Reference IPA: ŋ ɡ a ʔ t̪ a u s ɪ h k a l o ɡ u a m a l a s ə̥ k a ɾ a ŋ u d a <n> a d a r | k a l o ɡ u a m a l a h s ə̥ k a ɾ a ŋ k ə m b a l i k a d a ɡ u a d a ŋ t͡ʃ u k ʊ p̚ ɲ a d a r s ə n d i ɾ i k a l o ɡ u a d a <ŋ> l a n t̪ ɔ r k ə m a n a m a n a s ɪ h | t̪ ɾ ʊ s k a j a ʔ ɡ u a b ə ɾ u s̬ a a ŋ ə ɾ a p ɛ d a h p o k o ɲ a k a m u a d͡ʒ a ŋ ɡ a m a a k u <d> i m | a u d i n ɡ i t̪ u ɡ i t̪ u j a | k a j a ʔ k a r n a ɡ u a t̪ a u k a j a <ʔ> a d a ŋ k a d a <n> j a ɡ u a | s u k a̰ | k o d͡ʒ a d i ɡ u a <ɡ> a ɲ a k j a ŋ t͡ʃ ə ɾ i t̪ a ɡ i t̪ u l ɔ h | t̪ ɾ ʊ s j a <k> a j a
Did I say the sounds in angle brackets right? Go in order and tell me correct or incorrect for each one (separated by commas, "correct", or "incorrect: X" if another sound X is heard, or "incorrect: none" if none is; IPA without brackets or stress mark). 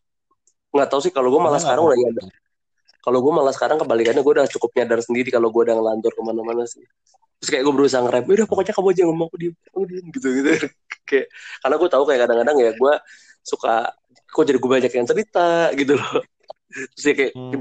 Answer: incorrect: ɲ, correct, correct, incorrect: k, incorrect: ŋ, incorrect: b, correct